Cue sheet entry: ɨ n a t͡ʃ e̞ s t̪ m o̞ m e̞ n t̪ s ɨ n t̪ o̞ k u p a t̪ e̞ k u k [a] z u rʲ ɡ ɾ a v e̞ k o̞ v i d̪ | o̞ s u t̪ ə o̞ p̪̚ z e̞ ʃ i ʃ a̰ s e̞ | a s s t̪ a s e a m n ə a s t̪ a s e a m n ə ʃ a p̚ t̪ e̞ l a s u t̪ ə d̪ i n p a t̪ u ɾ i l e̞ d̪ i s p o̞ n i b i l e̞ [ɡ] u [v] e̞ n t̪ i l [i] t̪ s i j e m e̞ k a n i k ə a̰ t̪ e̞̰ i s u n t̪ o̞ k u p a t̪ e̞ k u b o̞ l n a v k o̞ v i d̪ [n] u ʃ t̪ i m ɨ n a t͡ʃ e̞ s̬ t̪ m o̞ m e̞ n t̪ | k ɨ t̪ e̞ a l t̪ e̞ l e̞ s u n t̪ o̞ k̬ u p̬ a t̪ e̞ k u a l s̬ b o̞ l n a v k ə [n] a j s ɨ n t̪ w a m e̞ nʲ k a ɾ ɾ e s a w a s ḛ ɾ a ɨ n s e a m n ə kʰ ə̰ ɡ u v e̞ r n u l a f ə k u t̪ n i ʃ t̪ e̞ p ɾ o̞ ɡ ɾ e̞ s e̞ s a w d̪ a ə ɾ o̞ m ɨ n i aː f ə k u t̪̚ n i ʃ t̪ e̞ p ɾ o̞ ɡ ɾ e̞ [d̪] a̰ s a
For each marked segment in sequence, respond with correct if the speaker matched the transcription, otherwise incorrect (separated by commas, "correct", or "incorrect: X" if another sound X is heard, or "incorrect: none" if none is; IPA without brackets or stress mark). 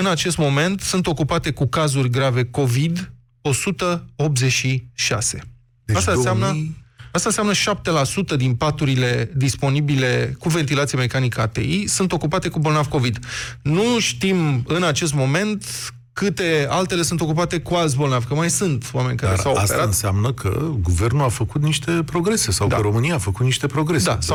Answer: correct, incorrect: k, correct, incorrect: a, correct, incorrect: m, correct